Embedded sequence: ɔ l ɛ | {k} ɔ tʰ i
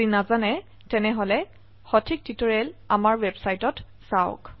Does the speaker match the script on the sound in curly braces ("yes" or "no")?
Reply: no